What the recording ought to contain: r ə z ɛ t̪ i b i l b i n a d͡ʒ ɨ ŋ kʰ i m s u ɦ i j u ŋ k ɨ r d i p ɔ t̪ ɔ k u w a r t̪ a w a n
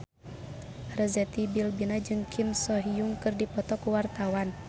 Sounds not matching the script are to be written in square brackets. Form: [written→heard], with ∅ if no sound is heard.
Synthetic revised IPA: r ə z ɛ t̪ i b i l b i n a d͡ʒ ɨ ŋ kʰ i m s [u→ɔ] ɦ i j u ŋ k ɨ r d i p ɔ t̪ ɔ k u w a r t̪ a w a n